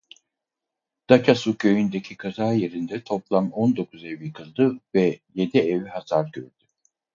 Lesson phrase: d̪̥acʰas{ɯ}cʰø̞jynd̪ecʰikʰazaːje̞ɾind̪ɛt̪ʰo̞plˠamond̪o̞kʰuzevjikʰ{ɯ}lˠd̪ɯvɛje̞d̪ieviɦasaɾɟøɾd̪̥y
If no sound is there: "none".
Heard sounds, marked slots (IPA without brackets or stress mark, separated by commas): u, ɯ